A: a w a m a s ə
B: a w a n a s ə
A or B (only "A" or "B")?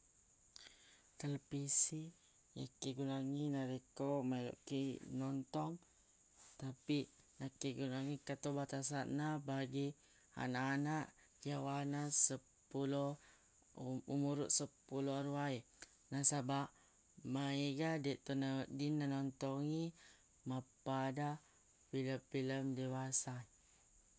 B